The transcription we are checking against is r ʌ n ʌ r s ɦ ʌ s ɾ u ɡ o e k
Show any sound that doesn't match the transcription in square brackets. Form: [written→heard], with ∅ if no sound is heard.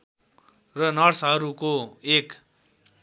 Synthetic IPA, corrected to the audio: r ʌ n ʌ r s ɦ ʌ [s→∅] ɾ u [ɡ→k] o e k